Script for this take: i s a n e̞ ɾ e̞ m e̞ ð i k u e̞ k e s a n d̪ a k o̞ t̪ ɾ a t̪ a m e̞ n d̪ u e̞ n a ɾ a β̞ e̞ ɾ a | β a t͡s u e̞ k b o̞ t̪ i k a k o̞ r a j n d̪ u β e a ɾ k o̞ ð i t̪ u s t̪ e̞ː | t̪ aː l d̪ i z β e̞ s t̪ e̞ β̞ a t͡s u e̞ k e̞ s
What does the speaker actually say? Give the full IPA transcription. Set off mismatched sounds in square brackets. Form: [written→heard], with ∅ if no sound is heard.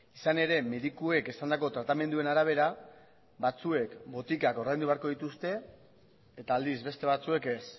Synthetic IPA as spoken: i s a n e̞ ɾ e̞ m e̞ ð i k u e̞ k e s a n d̪ a k o̞ t̪ ɾ a t̪ a m e̞ n d̪ u e̞ n a ɾ a β̞ e̞ ɾ a | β a t͡s u e̞ k b o̞ t̪ i k a k o̞ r a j n d̪ u β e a ɾ k o̞ ð i t̪ u s t̪ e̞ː | t̪ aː l d̪ i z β e̞ s t̪ e̞ β̞ a t͡s u e̞ k e̞ s